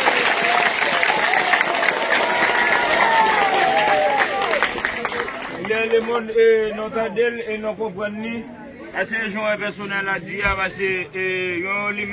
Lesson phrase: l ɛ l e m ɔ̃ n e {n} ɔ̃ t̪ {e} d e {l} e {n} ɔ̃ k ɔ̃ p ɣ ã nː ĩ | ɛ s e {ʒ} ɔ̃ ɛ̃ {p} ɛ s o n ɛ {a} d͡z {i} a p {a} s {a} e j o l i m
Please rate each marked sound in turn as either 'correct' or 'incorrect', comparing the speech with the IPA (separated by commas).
correct, incorrect, correct, correct, correct, correct, correct, correct, correct, incorrect